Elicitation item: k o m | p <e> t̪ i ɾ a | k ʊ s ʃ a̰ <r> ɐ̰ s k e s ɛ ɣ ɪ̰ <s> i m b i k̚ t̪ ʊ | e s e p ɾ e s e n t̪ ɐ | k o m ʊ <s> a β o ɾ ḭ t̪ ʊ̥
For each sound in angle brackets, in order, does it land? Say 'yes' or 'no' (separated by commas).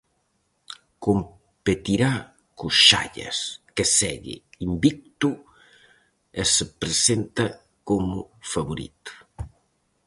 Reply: yes, no, no, no